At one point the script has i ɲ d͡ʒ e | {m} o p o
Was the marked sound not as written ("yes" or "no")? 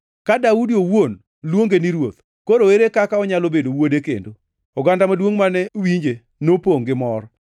yes